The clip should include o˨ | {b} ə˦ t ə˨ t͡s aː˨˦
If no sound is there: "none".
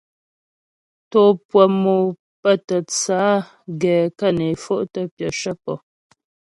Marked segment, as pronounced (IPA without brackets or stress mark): p